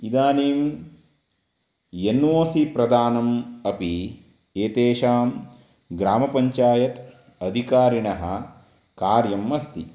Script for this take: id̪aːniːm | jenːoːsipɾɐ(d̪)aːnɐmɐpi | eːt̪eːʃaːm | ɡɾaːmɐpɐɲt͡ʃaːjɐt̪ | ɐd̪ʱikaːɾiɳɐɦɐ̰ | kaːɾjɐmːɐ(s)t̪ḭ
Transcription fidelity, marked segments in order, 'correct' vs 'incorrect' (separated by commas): correct, correct